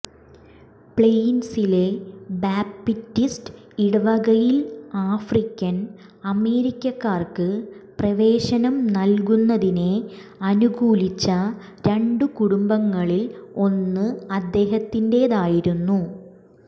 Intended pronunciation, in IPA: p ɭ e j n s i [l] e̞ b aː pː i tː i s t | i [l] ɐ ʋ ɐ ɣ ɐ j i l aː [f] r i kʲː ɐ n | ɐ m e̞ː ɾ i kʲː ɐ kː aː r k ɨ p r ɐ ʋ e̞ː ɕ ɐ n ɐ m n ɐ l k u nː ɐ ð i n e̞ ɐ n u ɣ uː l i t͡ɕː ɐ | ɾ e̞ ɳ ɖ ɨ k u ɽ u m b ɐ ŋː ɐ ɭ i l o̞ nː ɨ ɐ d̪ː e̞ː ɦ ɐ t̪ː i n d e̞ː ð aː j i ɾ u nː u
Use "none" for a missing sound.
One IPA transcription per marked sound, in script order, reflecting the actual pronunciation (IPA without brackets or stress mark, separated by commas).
l, ɽ, f